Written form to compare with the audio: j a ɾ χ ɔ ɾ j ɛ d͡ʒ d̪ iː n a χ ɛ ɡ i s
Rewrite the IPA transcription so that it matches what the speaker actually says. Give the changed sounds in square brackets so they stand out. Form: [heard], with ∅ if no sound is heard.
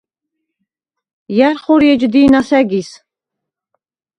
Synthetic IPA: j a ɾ χ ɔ ɾ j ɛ d͡ʒ d̪ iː n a [s] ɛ ɡ i s